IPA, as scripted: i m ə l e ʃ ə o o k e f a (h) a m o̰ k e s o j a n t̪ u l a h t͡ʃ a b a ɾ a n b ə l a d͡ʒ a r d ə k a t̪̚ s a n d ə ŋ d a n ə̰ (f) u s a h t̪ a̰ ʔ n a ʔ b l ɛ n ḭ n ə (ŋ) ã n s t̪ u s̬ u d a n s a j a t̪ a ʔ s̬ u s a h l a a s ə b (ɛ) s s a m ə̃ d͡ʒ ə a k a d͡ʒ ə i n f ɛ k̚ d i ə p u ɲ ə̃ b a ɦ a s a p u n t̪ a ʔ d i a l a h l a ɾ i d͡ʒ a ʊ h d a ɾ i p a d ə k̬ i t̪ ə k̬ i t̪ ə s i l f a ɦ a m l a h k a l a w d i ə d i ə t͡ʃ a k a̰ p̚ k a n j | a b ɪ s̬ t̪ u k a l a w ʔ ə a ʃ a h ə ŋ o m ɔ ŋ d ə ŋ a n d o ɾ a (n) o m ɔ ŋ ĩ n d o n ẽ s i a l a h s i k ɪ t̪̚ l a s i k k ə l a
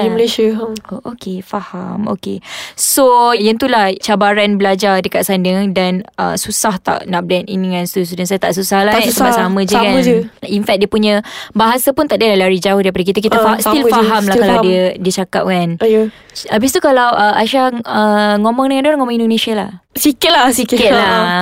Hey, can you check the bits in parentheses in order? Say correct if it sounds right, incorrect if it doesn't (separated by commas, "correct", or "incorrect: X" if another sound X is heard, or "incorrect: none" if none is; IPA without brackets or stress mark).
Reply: correct, incorrect: s, correct, incorrect: a, incorrect: ŋ